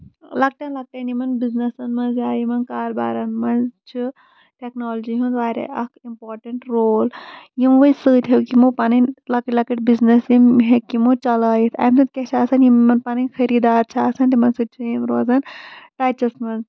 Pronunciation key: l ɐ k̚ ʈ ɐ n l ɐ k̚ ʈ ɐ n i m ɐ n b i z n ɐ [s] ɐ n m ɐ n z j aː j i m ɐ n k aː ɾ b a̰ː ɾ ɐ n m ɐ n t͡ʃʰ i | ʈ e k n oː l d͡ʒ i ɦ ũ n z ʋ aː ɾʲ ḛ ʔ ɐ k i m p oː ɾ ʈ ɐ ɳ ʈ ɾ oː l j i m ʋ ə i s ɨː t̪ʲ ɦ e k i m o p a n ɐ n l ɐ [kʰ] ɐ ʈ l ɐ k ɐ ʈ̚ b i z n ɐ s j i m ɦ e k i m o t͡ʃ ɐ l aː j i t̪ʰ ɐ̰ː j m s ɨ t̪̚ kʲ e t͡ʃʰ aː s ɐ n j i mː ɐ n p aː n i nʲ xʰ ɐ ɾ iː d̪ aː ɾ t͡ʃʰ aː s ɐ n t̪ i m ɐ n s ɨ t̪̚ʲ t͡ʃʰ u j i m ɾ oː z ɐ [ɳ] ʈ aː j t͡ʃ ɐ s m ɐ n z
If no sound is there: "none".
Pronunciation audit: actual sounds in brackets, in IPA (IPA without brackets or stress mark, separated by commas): s, k, n